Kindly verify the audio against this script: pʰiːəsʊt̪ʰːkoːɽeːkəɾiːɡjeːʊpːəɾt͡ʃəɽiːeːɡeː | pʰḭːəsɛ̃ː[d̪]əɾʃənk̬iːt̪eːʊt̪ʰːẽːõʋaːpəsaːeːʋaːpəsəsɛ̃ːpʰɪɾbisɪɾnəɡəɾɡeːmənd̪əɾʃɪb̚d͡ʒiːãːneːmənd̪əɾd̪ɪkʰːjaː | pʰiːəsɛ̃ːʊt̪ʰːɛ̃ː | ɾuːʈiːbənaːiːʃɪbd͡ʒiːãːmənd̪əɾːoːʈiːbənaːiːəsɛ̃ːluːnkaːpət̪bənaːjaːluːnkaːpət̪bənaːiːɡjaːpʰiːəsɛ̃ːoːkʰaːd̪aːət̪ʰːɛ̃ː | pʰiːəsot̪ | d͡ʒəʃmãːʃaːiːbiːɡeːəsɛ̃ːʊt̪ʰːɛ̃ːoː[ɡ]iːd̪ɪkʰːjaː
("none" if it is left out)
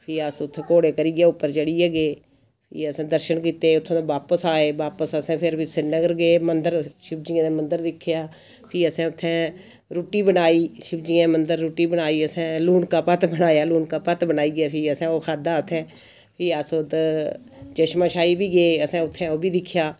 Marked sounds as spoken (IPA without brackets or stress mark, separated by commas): d̪, b